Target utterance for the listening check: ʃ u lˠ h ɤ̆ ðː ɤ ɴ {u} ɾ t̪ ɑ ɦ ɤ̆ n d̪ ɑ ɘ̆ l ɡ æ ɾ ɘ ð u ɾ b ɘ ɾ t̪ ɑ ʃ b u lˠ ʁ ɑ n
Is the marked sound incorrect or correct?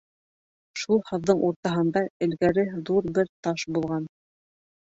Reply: correct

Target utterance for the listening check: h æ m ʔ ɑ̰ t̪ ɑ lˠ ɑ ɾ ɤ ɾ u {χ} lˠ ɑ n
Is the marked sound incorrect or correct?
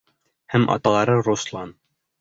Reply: incorrect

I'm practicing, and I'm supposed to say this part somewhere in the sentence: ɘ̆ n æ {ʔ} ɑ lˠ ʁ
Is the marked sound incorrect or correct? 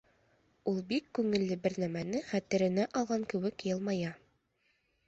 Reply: correct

